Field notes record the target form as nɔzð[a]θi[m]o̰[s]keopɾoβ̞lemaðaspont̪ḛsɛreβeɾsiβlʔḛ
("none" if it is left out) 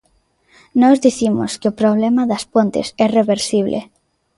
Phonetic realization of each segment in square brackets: i, m, s

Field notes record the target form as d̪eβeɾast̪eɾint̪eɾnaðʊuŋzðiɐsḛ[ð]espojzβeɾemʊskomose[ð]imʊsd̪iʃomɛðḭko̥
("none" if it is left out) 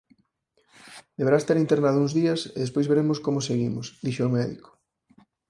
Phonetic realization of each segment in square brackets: ð, ɣ

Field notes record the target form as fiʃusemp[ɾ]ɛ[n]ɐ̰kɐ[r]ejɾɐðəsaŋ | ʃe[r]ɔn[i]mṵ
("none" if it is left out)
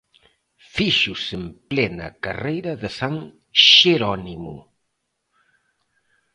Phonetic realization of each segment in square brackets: l, n, r, ɾ, i

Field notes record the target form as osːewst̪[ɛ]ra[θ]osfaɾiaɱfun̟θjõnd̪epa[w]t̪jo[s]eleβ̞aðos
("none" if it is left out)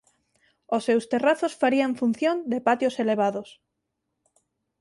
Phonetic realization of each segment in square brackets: e, θ, none, s

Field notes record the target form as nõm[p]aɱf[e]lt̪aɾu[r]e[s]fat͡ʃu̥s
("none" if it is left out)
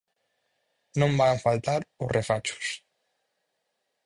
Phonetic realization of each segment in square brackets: b, a, r, none

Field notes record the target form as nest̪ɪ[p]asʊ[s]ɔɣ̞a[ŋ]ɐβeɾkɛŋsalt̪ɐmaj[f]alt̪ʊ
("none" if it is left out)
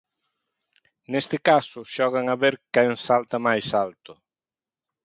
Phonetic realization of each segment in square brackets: k, ʃ, ŋ, s

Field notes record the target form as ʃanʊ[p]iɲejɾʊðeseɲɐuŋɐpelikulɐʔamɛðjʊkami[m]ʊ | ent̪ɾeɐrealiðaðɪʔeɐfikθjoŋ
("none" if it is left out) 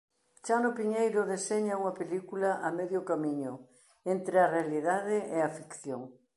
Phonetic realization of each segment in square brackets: p, ɲ

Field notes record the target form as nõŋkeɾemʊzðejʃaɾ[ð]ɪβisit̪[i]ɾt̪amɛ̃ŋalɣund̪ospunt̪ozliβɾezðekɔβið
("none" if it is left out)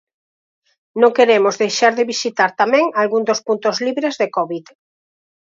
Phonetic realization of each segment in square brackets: ð, a

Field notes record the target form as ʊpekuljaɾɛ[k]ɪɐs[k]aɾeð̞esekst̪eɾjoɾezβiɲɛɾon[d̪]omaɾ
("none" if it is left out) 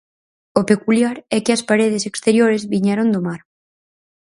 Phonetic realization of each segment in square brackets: k, p, d̪

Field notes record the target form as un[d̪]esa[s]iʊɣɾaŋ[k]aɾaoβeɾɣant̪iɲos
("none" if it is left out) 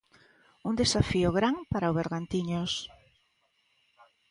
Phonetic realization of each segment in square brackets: d̪, f, p

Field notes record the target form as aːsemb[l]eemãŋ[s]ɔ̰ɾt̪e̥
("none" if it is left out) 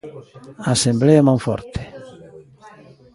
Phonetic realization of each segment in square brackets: l, f

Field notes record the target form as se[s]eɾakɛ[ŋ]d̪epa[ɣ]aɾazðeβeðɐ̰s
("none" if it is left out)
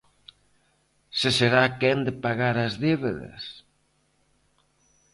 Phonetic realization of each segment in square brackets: s, n, ɣ

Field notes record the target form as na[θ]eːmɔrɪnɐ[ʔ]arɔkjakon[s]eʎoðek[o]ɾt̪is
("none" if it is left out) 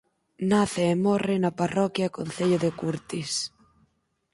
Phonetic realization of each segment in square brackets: θ, p, θ, u

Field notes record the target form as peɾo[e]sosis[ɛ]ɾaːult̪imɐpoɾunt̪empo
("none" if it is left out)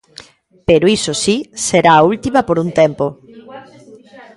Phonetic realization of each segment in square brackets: i, e

